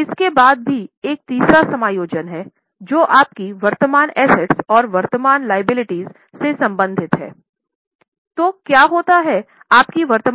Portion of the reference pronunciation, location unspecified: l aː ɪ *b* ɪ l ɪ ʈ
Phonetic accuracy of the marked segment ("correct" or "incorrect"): correct